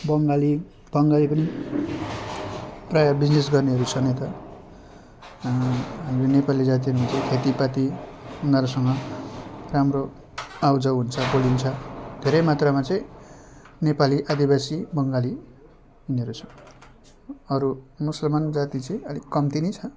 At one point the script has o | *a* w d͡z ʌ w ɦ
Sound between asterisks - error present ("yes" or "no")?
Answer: no